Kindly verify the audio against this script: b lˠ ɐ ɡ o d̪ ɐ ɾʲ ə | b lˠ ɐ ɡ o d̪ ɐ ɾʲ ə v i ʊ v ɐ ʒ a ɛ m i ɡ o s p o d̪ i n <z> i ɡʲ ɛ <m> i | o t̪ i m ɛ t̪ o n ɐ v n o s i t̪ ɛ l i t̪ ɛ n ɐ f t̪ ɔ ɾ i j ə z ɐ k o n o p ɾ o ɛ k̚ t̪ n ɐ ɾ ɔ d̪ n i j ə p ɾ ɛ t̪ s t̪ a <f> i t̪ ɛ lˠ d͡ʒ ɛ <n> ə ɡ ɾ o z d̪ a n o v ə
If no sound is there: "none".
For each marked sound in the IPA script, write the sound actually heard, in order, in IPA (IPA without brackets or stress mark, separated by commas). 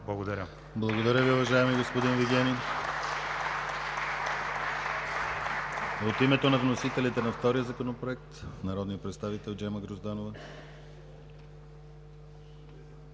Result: v, n, v, m